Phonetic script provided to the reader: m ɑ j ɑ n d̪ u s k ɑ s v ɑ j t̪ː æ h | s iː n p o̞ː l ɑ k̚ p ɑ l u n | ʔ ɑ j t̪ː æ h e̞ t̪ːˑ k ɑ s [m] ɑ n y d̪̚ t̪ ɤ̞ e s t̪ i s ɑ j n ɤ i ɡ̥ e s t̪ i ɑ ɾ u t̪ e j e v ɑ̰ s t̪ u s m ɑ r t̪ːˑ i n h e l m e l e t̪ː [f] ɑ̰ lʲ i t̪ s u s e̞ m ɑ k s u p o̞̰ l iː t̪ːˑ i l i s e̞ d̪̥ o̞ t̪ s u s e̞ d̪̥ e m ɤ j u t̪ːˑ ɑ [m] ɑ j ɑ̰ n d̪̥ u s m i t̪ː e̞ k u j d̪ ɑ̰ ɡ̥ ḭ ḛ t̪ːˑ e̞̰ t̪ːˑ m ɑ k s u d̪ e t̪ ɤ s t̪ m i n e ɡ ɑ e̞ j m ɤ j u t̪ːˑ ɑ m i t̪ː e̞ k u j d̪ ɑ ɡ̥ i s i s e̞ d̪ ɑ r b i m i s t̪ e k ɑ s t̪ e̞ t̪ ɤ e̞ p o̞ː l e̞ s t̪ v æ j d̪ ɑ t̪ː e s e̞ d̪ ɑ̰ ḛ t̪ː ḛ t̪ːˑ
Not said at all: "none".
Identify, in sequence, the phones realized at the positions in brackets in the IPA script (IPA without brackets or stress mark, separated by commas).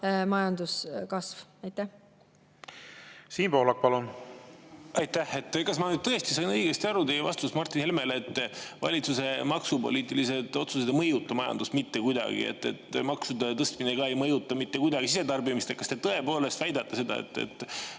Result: m, v, m